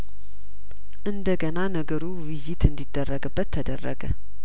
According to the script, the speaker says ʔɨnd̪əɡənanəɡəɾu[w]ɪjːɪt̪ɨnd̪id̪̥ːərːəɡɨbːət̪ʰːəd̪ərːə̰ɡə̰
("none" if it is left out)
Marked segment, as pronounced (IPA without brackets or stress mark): w